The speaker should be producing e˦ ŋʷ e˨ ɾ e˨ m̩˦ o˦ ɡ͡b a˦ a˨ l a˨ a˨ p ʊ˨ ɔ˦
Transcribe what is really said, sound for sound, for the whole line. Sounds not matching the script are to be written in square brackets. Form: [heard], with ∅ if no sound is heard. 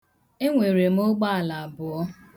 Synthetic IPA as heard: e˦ ŋʷ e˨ ɾ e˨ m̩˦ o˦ ɡ͡b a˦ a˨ l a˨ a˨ [b] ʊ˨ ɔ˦